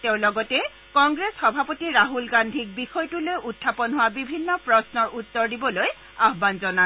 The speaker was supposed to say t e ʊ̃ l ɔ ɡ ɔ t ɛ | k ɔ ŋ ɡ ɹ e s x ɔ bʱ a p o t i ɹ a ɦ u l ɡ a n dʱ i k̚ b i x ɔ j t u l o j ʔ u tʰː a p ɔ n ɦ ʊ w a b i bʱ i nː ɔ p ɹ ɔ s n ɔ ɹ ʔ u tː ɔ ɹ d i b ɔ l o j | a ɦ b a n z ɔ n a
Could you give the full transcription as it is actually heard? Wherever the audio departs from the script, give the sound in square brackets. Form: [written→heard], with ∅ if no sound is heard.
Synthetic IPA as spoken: t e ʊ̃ l ɔ ɡ ɔ t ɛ | k ɔ ŋ ɡ ɹ e s x ɔ bʱ a p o t i ɹ a ɦ u l ɡ a n dʱ i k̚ b i x ɔ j t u l o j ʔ u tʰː a p ɔ n ɦ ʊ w a b i bʱ i nː ɔ p ɹ ɔ s n ɔ ɹ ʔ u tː ɔ ɹ d i b ɔ l o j | a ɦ b a n z ɔ n a